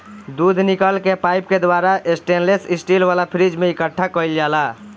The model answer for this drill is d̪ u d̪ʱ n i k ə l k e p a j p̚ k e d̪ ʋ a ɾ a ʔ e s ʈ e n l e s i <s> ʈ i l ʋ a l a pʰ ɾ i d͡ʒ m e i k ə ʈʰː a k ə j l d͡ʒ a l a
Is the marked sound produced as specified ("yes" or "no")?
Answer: yes